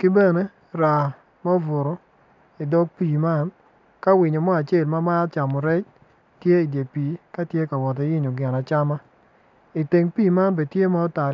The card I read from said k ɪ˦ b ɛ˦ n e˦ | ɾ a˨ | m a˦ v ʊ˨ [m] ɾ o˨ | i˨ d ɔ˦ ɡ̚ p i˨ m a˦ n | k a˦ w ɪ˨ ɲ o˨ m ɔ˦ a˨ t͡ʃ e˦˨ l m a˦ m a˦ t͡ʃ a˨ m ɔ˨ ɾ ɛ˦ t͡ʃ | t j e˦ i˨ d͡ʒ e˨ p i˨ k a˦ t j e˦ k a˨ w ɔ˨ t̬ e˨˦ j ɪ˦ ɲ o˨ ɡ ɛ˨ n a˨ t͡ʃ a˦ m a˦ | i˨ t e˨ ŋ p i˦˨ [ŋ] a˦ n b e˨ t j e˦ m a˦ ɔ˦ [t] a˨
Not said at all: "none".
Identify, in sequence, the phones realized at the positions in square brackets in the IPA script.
none, m, t

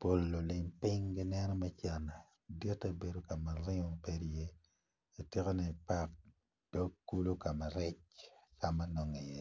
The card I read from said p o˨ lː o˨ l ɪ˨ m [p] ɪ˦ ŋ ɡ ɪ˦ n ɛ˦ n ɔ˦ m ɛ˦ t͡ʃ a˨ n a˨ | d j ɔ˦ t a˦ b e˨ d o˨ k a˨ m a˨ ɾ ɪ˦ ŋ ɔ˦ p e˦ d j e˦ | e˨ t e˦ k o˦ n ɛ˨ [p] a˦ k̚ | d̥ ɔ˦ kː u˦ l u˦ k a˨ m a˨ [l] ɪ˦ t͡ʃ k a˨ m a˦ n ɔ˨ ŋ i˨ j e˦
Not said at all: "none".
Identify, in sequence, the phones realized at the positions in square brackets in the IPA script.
p, p, ɾ

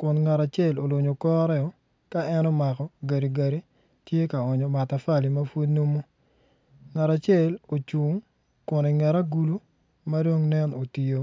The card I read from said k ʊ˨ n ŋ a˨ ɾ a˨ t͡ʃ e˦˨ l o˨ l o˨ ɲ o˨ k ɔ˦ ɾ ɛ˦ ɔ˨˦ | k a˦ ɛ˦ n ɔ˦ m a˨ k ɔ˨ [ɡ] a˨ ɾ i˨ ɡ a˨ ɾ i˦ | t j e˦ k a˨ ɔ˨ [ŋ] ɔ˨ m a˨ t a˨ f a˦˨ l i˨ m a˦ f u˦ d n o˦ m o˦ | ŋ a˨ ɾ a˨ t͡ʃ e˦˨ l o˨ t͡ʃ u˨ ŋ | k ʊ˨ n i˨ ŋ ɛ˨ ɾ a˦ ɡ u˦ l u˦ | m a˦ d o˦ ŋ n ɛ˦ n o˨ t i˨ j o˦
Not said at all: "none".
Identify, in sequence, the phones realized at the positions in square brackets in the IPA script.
ɡ, ɲ

